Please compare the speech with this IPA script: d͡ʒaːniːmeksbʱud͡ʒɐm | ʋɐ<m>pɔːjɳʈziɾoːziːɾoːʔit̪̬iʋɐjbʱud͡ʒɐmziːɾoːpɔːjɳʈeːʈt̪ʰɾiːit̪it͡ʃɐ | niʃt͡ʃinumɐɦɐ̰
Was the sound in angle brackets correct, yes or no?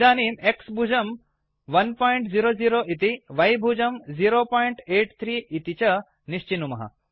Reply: no